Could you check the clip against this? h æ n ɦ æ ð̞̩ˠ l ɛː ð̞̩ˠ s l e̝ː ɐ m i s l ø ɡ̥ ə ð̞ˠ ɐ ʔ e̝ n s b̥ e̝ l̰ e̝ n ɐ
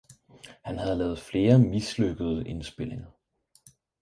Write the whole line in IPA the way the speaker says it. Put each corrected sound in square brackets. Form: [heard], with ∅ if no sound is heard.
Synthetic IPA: h æ n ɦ æ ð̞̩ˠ l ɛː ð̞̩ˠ [f] l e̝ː ɐ m i s l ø ɡ̥ ə ð̞ˠ [ə] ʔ e̝ n s b̥ e̝ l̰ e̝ [ŋ] ɐ